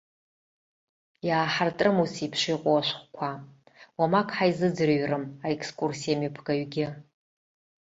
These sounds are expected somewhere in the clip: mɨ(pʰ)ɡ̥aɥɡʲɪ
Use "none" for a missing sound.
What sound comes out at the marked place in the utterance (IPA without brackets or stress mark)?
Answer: pʰ